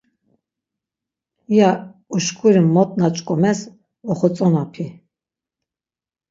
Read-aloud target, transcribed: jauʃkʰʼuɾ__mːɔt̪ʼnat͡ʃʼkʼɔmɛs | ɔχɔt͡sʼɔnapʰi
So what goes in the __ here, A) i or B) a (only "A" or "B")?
A